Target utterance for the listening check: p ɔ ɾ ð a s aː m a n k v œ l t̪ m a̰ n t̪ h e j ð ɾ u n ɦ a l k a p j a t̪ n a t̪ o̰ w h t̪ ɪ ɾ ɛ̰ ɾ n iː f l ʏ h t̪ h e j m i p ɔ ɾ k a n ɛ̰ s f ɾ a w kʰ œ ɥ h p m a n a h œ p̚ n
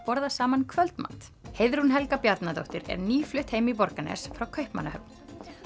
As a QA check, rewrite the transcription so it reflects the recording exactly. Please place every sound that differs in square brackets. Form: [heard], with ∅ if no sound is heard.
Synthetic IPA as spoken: p ɔ ɾ ð a s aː m a n [kʰ] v œ l t̪ m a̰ n t̪ h e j ð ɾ u n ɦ [ɛ] l k a p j a t̪ n a t̪ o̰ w h t̪ ɪ ɾ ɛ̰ ɾ n iː f l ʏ h t̪ h e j m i p ɔ ɾ k a n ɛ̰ s f ɾ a w kʰ œ ɥ h p m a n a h œ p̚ n